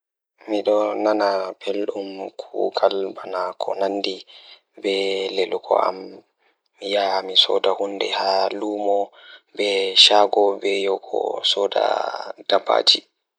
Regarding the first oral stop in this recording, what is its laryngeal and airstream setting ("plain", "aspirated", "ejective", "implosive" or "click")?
implosive